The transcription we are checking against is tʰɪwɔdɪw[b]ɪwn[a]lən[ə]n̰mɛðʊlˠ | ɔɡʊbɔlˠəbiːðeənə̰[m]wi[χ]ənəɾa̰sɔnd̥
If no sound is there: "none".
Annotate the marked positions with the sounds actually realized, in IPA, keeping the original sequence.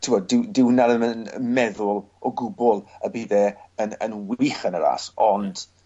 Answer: d, a, ə, n, χ

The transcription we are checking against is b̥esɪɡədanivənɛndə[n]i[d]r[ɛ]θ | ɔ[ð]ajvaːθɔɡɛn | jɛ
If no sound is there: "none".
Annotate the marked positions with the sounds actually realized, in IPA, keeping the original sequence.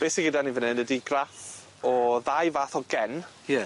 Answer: d, ɡ, a, ð

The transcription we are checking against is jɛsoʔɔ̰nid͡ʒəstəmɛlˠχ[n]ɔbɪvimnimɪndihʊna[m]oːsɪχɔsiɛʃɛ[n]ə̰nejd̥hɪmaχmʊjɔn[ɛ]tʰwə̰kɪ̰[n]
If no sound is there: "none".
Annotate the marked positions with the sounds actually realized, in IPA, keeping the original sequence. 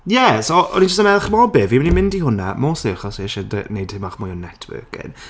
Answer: m, m, d, ɛ, n

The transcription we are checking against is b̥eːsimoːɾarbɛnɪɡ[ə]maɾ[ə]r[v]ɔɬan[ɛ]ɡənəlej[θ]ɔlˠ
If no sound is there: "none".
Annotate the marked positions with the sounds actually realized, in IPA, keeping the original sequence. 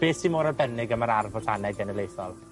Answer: ə, a, v, ɛ, θ

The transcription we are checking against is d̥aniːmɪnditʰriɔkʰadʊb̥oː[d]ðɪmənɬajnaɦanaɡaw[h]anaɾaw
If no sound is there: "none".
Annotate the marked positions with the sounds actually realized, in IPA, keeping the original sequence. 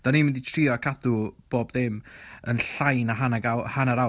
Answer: b, h

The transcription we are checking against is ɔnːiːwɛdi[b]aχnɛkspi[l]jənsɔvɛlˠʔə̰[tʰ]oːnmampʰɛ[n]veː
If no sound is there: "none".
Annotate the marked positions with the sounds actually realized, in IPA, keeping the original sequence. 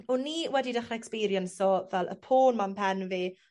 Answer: d, ɾ, pʰ, n

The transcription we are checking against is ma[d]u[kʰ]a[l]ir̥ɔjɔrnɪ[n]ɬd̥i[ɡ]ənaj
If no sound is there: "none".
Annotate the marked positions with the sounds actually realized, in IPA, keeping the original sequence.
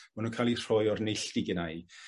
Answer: n, kʰ, l, none, ɡ

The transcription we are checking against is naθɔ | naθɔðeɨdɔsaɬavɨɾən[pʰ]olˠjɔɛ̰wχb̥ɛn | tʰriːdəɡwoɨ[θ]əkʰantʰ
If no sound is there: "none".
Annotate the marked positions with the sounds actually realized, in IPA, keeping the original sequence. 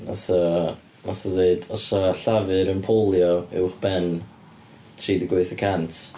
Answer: pʰ, θ

